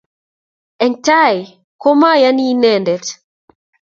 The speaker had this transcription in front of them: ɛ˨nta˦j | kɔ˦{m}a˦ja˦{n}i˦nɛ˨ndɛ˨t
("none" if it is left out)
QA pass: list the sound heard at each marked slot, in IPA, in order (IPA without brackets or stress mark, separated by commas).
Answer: m, n